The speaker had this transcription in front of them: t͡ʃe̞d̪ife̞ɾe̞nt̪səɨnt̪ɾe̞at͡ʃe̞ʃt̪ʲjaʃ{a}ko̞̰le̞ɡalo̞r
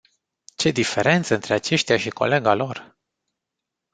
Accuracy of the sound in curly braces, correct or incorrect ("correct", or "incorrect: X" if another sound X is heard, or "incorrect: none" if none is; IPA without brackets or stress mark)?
incorrect: i